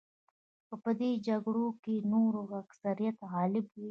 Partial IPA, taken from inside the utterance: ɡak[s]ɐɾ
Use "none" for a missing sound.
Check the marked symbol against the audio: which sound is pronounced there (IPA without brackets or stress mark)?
s